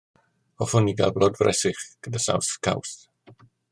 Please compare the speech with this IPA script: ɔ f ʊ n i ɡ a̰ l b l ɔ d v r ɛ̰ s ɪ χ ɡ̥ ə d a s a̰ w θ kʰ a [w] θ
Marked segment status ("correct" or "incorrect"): correct